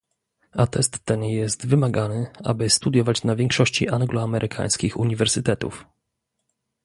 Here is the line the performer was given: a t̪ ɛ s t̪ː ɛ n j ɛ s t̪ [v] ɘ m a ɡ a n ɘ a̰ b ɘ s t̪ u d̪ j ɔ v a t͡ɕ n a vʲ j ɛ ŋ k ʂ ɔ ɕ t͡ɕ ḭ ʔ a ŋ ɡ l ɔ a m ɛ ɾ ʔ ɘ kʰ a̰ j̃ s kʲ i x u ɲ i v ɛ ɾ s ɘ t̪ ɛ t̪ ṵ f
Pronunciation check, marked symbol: correct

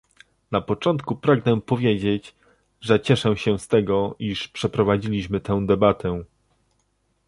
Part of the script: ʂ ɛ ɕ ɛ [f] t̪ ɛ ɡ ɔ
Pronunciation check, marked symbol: incorrect: s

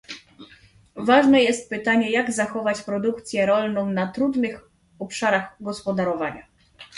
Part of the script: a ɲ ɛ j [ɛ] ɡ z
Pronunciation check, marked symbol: incorrect: a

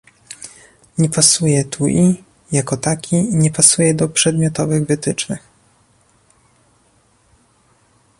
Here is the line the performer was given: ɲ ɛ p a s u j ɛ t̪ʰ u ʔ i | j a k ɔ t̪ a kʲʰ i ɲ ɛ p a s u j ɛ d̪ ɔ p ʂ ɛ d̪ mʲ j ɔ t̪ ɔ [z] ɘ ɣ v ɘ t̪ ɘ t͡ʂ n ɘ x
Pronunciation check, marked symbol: incorrect: v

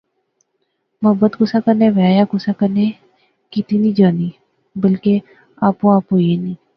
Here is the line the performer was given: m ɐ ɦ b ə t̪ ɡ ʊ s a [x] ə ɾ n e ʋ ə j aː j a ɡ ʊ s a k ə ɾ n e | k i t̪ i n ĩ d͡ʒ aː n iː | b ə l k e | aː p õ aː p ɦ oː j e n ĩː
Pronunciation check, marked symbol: incorrect: k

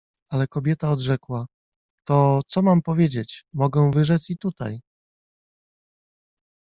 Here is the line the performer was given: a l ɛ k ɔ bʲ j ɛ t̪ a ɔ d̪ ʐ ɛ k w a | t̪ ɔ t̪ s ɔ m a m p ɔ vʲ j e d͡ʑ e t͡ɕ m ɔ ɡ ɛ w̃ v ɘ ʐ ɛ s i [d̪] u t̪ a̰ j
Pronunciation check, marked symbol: incorrect: t̪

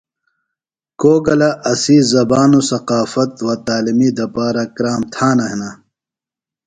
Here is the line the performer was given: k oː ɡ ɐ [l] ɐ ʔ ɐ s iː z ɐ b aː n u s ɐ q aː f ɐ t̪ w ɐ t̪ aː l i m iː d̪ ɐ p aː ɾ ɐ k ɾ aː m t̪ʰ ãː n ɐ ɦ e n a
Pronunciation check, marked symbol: correct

